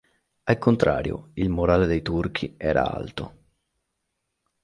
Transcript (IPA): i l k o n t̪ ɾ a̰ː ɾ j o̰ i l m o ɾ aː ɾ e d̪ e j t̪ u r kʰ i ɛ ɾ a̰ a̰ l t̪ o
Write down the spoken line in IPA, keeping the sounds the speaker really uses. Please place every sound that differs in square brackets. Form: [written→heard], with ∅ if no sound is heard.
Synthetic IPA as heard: [i→a] l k o n t̪ ɾ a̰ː ɾ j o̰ i l m o ɾ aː [ɾ→l] e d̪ e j t̪ u r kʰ i [ɛ→ɛː] ɾ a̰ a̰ l t̪ o